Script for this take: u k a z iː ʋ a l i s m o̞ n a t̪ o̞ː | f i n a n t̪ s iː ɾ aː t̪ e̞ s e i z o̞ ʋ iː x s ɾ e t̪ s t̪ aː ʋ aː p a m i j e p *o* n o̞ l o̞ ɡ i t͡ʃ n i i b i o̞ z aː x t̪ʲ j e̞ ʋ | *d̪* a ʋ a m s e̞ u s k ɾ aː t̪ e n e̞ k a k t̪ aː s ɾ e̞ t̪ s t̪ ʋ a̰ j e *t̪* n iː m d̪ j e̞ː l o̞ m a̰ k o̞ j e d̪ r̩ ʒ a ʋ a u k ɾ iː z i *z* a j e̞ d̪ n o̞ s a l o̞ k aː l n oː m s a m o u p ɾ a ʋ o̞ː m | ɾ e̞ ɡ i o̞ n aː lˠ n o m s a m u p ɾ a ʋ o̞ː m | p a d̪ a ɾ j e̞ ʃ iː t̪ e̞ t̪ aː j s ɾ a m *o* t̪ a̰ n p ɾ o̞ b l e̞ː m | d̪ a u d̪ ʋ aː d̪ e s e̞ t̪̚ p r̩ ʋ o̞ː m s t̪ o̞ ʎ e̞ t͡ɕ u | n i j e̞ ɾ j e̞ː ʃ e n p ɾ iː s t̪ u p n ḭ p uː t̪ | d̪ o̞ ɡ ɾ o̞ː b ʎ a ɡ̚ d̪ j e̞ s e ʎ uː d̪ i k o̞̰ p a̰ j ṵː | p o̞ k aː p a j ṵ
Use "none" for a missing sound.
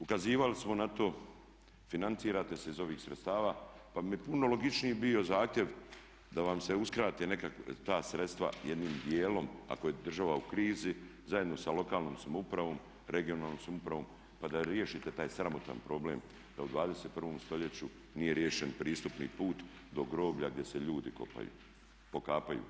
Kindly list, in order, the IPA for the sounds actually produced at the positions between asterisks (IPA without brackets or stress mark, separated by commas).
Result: u, d̪, d̪, z, o